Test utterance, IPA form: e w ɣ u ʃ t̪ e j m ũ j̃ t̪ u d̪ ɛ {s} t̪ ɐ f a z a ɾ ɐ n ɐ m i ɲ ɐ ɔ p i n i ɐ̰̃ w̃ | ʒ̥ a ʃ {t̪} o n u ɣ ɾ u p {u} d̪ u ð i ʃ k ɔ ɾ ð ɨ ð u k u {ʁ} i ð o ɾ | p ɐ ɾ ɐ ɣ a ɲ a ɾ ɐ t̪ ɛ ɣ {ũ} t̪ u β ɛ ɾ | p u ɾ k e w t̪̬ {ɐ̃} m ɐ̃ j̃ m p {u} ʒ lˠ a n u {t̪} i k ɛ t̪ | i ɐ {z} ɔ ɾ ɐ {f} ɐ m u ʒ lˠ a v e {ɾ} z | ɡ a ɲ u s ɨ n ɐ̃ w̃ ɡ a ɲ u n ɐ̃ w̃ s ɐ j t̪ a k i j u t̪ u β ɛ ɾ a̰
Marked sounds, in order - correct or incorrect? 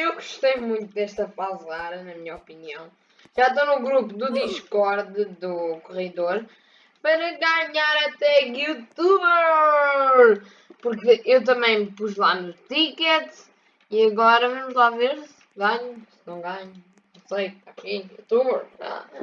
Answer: incorrect: ʃ, correct, correct, correct, incorrect: u, incorrect: ɐ, correct, correct, incorrect: ɣ, incorrect: v, correct

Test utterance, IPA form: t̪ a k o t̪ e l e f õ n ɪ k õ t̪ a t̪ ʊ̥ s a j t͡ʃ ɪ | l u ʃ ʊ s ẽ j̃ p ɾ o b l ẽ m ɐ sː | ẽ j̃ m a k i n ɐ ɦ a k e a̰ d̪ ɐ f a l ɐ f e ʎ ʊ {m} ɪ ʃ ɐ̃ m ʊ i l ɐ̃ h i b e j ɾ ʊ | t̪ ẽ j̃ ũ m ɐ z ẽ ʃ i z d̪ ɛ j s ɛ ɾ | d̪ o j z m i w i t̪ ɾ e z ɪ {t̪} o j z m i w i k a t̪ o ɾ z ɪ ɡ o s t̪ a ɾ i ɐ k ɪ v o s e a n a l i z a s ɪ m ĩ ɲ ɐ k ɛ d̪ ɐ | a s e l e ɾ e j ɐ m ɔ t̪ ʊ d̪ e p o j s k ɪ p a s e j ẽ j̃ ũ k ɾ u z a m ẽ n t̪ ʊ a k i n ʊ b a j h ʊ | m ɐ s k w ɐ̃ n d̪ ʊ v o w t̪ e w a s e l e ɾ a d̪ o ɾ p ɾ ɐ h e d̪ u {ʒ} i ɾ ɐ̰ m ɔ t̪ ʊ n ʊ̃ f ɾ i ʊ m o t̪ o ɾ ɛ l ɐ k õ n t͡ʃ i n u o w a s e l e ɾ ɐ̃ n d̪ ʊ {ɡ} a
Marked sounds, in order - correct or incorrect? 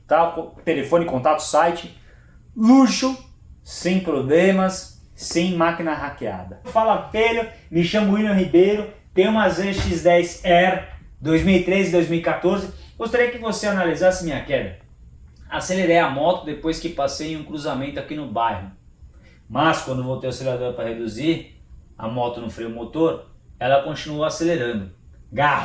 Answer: correct, incorrect: d̪, incorrect: z, correct

